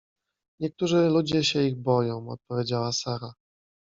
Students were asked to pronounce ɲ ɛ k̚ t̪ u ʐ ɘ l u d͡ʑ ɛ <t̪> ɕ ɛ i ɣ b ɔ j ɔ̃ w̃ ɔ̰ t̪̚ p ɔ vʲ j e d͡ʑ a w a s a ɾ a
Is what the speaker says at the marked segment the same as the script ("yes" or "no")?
no